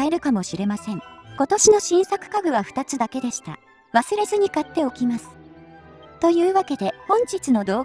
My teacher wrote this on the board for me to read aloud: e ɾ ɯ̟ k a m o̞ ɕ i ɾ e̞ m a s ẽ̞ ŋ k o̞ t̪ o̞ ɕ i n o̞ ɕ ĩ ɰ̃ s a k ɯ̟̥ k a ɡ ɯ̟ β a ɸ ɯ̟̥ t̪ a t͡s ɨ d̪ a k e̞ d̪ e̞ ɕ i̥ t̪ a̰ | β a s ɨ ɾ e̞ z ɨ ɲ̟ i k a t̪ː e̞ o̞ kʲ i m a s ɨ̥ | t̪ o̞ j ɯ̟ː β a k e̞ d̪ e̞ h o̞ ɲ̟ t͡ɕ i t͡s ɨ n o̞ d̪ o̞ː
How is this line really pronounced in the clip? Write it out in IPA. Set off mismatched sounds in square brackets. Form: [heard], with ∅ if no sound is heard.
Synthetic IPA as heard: e ɾ ɯ̟ k a m o̞ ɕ i ɾ e̞ m a s ẽ̞ ŋ k o̞ t̪ o̞ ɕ i n o̞ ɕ ĩ ɰ̃ s a k ɯ̟̥ k a ɡ ɯ̟ β a ɸ ɯ̟̥ t̪ a t͡s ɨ d̪ a k e̞ d̪ e̞ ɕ i̥ t̪ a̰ | β a s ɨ ɾ e̞ z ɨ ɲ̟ i k a t̪ː e̞ o̞ kʲ i m a s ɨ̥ | t̪ o̞ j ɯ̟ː β a k e̞ d̪ e̞ h [õ̞] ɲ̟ t͡ɕ i t͡s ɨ n o̞ d̪ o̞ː

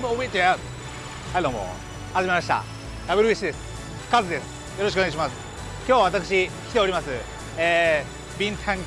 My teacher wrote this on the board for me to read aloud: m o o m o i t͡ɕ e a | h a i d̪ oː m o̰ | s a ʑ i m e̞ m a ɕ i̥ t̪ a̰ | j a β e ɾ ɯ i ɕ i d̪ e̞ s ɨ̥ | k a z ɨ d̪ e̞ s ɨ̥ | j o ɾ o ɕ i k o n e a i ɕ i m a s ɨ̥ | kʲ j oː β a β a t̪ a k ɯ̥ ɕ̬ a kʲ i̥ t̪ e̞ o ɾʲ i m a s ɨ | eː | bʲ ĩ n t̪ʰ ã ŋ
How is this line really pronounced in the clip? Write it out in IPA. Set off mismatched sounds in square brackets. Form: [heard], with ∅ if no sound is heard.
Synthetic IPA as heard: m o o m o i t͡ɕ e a | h a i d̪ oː m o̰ | [h] a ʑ i m e̞ m a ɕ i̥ t̪ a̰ | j a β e ɾ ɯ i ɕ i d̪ e̞ s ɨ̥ | k a z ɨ d̪ e̞ s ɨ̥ | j o ɾ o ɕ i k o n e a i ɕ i m a s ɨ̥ | kʲ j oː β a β a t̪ a k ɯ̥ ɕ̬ [i] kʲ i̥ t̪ e̞ o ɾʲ i m a s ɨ | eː | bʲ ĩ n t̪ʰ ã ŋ

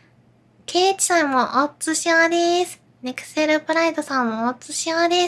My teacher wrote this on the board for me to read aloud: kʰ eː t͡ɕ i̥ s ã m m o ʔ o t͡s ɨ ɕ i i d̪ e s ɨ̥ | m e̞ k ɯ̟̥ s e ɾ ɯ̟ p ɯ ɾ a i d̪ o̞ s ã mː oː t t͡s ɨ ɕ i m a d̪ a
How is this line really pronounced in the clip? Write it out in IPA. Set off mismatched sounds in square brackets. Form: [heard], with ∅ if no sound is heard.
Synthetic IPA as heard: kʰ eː t͡ɕ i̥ s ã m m o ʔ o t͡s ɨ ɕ i [a] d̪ e s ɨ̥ | [n] e̞ k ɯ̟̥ s e ɾ ɯ̟ p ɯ ɾ a i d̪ o̞ s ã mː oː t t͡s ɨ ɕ i [∅] a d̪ [e]

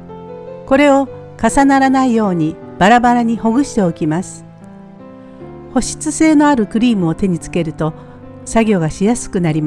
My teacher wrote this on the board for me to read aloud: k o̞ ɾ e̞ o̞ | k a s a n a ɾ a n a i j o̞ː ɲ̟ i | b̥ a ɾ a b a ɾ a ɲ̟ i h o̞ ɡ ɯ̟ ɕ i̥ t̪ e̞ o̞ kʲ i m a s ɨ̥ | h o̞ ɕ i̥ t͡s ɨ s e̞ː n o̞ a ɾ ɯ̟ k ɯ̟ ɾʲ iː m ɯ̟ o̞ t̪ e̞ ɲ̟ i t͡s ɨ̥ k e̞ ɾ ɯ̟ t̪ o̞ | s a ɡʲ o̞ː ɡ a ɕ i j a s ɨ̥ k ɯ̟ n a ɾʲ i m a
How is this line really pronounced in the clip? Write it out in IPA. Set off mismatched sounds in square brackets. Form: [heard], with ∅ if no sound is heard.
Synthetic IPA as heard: k o̞ ɾ e̞ o̞ | k a s a n a ɾ a n a i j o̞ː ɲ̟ i | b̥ a ɾ a b a ɾ a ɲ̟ i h o̞ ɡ ɯ̟ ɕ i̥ t̪ e̞ o̞ kʲ i m a s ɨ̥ | h o̞ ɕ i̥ t͡s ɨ s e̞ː n o̞ a ɾ ɯ̟ k ɯ̟ ɾʲ iː m ɯ̟ o̞ t̪ e̞ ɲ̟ i t͡s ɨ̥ k e̞ ɾ ɯ̟ t̪ o̞ | s a ɡʲ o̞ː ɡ a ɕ i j a s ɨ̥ k ɯ̟ n a ɾʲ i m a

